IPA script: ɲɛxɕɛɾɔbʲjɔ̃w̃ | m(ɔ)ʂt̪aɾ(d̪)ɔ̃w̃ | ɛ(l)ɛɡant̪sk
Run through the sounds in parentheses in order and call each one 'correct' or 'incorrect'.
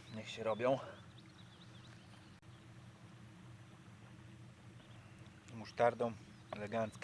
incorrect: u, correct, correct

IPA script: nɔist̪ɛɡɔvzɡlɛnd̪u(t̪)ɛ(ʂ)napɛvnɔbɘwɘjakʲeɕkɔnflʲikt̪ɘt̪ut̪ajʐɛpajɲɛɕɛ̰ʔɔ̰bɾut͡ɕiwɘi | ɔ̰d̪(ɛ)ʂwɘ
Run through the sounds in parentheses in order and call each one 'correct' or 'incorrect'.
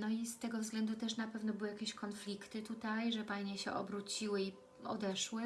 correct, correct, correct

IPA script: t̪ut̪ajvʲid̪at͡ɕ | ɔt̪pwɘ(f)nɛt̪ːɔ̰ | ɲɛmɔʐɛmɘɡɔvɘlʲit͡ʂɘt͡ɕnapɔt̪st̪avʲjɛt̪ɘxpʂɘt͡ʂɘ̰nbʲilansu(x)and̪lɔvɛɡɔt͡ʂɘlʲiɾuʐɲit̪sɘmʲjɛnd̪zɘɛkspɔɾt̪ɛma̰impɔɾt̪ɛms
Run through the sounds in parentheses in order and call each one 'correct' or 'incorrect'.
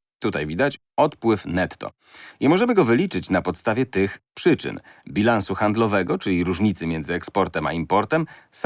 correct, correct

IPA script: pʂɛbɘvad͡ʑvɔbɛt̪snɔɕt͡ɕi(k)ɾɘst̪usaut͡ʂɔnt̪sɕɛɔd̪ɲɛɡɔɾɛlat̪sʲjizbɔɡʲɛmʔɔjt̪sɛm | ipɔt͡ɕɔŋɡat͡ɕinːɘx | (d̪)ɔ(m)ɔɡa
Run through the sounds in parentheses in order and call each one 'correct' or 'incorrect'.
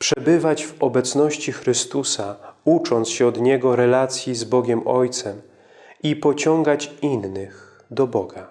incorrect: x, correct, incorrect: b

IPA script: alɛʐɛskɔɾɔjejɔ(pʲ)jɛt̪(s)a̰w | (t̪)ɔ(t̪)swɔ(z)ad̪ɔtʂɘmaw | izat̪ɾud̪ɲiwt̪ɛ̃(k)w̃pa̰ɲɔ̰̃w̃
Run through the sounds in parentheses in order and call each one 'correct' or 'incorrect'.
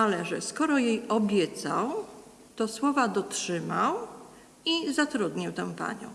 incorrect: bʲ, correct, correct, incorrect: none, incorrect: v, incorrect: none

